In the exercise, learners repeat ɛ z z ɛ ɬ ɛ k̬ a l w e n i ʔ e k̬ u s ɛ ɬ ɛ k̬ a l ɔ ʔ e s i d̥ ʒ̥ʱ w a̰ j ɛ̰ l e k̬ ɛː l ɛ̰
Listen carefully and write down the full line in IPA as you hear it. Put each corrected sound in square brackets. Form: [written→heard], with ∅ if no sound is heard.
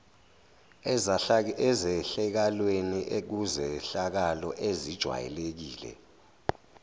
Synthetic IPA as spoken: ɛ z z ɛ ɬ ɛ k̬ a l w e n i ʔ e k̬ u [s→z] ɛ ɬ [ɛ→a] k̬ a l ɔ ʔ e [s→z] i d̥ ʒ̥ʱ w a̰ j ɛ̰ l e k̬ [ɛː→iː] l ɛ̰